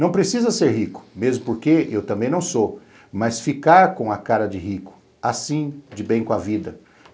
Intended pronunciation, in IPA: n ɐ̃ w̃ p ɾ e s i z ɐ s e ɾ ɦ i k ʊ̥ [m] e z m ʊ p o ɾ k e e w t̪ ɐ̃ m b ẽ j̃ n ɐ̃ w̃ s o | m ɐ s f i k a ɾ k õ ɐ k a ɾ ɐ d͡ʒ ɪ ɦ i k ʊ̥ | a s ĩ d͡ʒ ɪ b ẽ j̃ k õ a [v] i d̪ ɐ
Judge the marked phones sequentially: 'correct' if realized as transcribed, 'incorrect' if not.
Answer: correct, correct

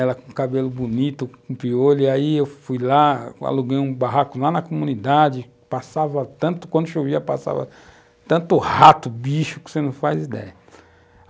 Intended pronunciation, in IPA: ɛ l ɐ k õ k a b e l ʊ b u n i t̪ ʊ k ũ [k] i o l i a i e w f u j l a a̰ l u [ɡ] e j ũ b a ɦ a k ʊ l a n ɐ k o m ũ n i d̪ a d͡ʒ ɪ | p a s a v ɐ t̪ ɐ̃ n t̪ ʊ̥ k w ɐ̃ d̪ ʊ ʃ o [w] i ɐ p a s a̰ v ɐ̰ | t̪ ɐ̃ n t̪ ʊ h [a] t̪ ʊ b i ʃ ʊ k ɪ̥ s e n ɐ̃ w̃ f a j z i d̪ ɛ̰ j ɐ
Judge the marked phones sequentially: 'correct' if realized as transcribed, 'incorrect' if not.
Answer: incorrect, correct, incorrect, correct

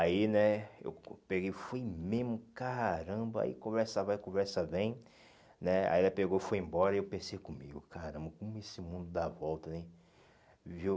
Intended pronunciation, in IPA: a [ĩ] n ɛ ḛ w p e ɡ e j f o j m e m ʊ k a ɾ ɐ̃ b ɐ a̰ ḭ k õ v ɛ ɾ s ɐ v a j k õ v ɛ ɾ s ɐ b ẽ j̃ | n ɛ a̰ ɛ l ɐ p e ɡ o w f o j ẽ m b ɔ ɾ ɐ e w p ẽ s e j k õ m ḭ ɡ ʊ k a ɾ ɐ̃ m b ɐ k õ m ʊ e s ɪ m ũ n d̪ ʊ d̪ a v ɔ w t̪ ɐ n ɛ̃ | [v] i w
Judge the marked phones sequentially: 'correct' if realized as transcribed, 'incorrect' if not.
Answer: incorrect, correct

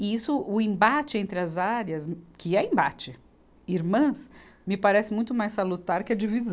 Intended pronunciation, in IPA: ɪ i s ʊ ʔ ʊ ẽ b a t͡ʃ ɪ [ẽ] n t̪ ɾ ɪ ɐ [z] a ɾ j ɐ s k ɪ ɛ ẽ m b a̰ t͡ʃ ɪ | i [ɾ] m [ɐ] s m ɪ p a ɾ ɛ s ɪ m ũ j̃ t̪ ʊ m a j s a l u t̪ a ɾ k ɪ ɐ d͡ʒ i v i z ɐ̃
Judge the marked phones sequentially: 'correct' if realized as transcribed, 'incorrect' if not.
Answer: correct, correct, correct, incorrect

